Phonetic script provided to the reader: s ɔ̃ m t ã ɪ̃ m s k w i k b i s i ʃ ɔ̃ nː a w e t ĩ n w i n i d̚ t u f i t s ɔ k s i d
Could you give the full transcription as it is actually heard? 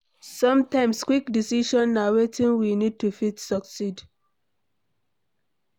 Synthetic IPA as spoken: s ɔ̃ m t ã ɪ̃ m s k w i k d i s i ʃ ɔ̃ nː a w e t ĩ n w i n i d̚ t u f i t s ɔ k s i d

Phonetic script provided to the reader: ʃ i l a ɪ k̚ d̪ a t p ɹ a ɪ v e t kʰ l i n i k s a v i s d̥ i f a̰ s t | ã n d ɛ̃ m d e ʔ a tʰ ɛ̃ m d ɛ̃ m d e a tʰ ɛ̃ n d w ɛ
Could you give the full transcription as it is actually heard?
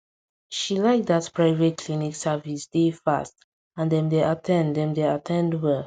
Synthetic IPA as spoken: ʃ i l a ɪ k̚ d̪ a t p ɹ a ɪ v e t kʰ l i n i k s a v i s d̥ e f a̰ s t | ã n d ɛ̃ m d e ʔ a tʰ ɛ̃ n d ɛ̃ m d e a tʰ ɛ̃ n d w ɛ

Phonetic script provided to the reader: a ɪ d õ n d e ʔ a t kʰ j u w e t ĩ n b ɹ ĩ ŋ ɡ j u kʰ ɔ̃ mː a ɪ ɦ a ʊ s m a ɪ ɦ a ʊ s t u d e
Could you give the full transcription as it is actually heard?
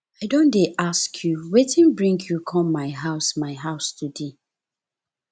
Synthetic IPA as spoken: a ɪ d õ n d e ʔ a s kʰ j u w e t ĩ n b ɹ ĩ ŋ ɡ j u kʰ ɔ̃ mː a ɪ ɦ a ʊ s m a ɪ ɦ a ʊ s t u d e

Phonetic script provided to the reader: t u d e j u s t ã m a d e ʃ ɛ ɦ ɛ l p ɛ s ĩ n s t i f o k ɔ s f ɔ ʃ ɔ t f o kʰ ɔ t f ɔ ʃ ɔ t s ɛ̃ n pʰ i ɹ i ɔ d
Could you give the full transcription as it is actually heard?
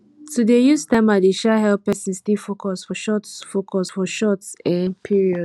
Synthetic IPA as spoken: t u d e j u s t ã m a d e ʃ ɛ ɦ ɛ l p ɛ s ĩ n s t i f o k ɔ s f ɔ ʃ ɔ t f o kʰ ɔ s f ɔ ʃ ɔ t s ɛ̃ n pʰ i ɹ i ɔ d

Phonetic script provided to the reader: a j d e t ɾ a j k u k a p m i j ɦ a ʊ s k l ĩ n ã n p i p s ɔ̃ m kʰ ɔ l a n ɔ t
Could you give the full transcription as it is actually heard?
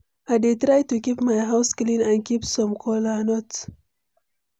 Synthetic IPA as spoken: a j d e t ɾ a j t u k i p m a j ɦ a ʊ s k l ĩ n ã n k i p s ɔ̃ m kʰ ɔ l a n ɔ t

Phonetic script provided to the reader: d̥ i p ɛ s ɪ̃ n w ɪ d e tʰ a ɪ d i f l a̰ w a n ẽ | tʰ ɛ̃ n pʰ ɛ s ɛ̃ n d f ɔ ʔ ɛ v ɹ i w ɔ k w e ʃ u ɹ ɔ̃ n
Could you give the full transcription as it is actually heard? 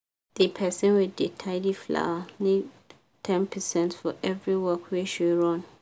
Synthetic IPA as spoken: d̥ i pʰ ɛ s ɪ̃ n w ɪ d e tʰ a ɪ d i f l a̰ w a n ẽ | tʰ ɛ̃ n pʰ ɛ s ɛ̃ n t f ɔ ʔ ɛ v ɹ i w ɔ k w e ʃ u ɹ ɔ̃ n

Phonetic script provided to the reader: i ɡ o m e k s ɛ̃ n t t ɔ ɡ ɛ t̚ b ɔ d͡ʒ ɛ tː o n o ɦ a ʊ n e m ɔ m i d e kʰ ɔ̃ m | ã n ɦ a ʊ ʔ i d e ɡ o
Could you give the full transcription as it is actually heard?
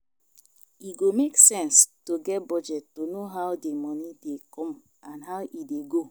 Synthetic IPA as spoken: i ɡ o m e k s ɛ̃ n s t o ɡ ɛ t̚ b ɔ d͡ʒ ɛ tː o n o ɦ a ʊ d e m ɔ n i d e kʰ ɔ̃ m | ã n ɦ a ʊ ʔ i d e ɡ o

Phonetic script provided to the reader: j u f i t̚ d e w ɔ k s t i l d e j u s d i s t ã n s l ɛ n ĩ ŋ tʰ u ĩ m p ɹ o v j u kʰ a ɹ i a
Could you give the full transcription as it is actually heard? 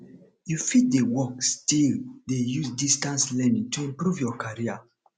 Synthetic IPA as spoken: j u f i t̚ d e w ɔ k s t i l d e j u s d i s t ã n s l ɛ n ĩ ŋ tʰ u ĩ m p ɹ u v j ɔ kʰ a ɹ i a

